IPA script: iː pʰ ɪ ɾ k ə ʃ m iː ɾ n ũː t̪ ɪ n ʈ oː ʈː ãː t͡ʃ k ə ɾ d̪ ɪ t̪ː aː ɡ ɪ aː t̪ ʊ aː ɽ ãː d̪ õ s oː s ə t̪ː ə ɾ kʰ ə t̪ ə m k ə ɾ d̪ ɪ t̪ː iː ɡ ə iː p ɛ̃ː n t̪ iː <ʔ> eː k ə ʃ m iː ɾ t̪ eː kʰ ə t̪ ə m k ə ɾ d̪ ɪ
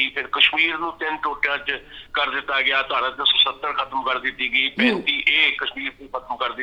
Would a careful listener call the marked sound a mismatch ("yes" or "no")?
no